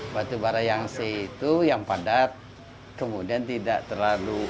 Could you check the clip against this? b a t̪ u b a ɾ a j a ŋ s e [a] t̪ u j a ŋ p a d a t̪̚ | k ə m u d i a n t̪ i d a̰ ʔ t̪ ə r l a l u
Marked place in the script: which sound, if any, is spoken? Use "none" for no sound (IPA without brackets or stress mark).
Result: i